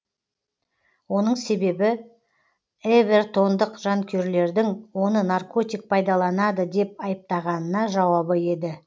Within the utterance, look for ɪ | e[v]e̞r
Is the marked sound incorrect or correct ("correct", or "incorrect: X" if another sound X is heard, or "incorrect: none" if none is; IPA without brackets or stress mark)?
correct